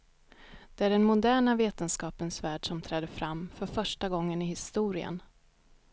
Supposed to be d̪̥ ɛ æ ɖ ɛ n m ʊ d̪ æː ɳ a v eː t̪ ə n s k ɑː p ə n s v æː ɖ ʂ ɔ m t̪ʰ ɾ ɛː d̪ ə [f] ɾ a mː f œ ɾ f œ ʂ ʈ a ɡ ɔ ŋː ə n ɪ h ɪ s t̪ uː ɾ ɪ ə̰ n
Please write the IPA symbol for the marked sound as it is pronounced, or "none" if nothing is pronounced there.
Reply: f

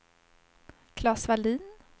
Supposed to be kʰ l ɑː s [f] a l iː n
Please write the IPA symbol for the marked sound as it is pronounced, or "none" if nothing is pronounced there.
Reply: v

